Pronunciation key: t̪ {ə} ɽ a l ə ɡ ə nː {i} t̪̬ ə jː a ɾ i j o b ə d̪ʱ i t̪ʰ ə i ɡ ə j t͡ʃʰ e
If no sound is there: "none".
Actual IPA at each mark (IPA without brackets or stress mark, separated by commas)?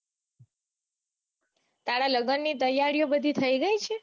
a, i